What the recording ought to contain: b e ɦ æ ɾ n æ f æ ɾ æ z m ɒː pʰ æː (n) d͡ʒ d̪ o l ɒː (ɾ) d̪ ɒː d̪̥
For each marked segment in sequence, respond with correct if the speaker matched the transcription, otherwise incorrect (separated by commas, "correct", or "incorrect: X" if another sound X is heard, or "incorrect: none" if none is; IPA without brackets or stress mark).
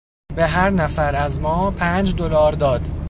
correct, correct